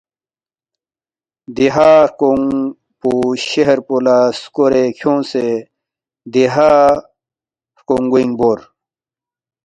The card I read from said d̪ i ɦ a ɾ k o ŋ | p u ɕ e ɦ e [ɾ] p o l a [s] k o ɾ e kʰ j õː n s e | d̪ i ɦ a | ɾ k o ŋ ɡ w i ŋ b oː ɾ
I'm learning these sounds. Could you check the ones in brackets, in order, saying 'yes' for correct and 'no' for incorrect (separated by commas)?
yes, yes